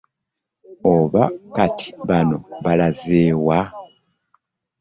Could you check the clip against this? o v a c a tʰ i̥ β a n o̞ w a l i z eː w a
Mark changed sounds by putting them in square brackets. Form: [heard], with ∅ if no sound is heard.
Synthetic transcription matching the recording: o [β] a [k] a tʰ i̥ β a n o̞ [β] a l [a] z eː w a